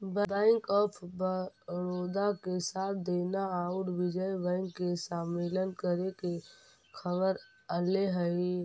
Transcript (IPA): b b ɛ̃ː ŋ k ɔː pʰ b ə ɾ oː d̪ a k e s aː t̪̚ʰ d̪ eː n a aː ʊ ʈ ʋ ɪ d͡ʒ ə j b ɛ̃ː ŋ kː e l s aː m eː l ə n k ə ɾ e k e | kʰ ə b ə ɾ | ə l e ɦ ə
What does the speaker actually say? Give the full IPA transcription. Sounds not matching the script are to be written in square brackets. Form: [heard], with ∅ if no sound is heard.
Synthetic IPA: b b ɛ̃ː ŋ k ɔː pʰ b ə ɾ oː d̪ a k e s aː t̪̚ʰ d̪ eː n a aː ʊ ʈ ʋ ɪ d͡ʒ ə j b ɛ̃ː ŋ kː e [∅] s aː m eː l ə n k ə ɾ e k e | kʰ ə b ə ɾ | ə l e ɦ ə